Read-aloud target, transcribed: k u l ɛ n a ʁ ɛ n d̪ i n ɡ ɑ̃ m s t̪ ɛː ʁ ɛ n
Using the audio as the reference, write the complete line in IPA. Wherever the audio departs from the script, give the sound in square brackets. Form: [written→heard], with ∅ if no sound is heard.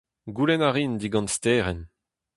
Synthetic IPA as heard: [k→ɡ] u l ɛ n a ʁ [ɛ→i] n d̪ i [n→∅] ɡ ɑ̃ [m→n] s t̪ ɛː ʁ ɛ n